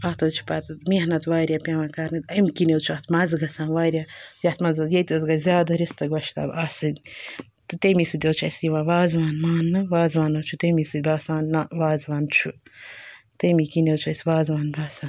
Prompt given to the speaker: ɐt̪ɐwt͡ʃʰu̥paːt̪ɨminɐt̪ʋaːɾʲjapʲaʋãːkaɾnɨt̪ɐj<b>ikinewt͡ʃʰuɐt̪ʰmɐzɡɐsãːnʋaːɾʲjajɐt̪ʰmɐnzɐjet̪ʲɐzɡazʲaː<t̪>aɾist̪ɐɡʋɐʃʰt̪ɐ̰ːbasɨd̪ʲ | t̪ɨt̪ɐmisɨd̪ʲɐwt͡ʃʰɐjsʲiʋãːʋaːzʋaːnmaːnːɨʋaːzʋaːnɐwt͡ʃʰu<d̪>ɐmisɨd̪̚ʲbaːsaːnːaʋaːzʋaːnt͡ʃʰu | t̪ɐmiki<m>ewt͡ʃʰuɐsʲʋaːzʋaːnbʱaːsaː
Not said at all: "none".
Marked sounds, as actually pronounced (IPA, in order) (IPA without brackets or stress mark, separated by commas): m, d̪, t̪, n